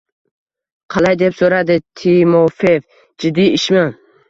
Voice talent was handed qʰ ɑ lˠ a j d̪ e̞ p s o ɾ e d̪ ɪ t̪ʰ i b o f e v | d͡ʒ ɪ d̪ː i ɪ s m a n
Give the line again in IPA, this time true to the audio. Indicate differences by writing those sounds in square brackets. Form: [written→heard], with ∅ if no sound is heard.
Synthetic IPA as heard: qʰ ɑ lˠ a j d̪ e̞ p s o ɾ [e→a] d̪ ɪ t̪ʰ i [b→m] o f e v | d͡ʒ ɪ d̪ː i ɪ [s→ʃ] m a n